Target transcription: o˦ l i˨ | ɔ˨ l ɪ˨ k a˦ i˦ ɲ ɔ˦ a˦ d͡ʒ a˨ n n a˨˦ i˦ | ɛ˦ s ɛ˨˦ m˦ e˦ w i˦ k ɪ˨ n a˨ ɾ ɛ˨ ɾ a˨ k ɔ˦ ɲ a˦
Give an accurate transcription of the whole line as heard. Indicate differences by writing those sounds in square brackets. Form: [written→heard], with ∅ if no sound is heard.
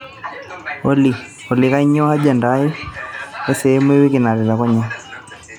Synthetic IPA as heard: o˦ l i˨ | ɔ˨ l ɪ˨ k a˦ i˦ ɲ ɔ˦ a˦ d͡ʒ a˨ n [n→d] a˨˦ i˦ | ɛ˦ s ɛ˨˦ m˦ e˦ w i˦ k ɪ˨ n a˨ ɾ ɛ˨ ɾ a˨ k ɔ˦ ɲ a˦